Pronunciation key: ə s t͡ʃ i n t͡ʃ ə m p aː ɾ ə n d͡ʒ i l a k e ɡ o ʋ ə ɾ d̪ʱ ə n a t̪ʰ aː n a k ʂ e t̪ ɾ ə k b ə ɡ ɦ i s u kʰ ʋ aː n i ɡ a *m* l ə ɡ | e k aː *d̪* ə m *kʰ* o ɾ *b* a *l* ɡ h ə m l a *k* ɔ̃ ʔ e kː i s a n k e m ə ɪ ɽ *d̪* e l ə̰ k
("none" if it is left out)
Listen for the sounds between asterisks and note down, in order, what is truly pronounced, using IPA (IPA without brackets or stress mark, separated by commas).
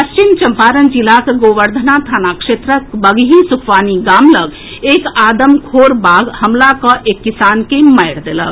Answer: m, d̪, kʰ, b, none, k, d̪